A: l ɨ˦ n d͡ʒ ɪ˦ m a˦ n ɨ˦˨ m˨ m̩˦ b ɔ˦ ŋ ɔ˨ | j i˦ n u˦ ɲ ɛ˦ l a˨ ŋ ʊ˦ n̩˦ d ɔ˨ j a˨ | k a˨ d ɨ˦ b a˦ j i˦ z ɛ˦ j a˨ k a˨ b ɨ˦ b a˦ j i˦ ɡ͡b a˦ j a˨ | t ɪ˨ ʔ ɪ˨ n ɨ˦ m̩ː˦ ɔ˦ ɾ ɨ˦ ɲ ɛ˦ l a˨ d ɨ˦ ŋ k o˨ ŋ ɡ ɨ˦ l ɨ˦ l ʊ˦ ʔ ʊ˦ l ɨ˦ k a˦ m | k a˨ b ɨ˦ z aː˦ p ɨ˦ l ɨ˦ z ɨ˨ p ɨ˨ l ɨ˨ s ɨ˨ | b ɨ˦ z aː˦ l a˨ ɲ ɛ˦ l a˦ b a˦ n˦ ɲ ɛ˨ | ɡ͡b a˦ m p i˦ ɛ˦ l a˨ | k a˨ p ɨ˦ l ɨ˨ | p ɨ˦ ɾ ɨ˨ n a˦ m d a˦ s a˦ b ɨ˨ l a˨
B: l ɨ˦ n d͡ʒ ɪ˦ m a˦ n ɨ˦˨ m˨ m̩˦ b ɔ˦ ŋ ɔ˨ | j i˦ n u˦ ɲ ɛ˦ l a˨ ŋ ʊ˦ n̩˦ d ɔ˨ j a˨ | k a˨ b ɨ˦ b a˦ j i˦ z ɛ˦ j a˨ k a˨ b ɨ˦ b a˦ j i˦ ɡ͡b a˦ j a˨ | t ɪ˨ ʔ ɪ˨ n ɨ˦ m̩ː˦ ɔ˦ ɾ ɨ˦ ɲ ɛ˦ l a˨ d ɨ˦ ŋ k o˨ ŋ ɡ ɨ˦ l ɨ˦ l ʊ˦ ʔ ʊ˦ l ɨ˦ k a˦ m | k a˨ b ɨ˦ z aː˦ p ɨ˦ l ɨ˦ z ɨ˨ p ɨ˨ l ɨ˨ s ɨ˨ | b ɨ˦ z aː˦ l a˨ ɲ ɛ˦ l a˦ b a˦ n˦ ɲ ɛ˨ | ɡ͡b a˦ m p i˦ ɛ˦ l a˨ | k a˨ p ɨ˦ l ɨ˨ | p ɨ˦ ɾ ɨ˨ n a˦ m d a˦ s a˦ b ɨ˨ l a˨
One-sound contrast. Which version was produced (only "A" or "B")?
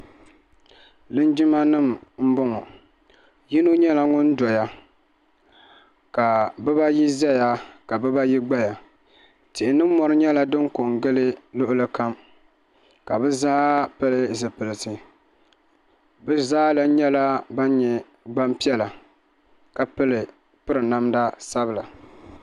B